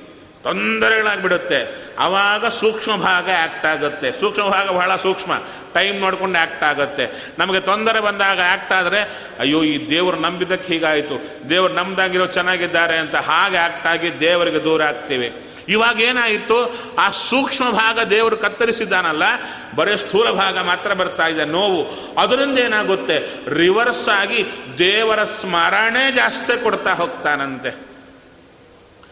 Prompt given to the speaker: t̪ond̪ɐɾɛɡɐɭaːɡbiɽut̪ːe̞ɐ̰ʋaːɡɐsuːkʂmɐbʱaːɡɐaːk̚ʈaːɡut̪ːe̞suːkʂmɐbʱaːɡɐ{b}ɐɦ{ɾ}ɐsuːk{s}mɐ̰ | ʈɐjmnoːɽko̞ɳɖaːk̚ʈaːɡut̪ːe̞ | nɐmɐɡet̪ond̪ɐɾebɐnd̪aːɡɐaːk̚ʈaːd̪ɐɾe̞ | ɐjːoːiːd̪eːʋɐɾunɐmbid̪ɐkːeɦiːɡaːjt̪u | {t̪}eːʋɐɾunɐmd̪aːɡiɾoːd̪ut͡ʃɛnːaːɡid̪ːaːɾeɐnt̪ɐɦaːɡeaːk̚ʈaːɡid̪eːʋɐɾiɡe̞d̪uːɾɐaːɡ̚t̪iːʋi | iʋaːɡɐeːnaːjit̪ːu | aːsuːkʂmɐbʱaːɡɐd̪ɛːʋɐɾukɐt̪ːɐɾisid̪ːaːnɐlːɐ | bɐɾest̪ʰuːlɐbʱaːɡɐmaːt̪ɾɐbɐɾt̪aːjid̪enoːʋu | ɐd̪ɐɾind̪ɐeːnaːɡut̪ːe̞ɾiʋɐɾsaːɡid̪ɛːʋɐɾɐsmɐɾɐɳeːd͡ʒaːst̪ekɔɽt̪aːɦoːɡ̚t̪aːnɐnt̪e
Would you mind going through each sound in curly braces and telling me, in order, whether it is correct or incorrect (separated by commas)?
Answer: correct, incorrect, incorrect, incorrect